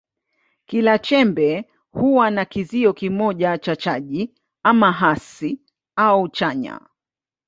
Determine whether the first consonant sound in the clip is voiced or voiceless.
voiceless